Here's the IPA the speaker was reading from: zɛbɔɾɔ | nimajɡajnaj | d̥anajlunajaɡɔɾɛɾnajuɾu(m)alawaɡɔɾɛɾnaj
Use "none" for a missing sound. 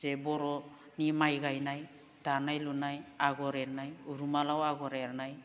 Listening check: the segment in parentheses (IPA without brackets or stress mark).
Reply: m